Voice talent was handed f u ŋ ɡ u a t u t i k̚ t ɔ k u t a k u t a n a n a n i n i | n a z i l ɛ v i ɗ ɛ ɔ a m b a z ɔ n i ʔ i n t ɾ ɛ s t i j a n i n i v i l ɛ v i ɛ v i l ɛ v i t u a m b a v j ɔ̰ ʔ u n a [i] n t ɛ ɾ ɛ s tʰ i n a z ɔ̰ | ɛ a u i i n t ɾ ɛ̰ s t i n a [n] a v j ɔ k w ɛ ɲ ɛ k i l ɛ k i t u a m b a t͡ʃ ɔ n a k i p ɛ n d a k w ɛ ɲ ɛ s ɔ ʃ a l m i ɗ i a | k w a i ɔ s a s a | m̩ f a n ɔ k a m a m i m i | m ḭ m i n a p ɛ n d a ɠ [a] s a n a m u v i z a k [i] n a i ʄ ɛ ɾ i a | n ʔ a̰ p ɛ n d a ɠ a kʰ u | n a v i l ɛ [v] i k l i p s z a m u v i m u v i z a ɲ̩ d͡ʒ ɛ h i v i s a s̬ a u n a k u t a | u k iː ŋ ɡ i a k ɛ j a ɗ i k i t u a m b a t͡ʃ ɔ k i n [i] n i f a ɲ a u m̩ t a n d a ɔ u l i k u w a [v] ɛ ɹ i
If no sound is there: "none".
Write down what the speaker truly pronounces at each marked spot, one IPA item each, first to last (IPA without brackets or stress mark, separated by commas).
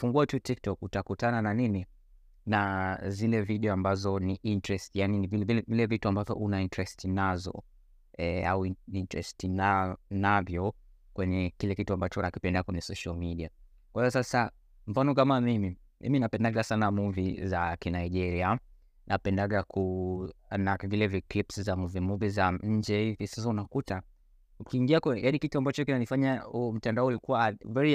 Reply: i, n, a, i, v, a, v